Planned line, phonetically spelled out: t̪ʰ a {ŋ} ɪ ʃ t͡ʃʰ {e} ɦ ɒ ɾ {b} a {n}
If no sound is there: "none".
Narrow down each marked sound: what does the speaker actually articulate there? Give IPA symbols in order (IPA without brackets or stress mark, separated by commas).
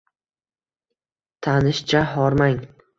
n, a, m, ŋ